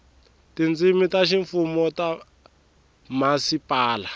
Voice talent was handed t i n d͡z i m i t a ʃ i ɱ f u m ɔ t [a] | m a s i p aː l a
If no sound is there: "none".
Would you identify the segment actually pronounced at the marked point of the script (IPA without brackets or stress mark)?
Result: a